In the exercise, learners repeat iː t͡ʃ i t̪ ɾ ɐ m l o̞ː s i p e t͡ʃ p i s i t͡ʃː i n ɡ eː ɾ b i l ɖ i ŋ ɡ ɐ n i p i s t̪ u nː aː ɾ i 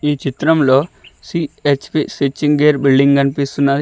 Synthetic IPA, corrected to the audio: iː t͡ʃ i t̪ ɾ ɐ m l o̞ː s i e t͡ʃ p i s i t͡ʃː i ŋ ɡ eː ɾ b i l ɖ i ŋ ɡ ɐ n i p i s t̪ u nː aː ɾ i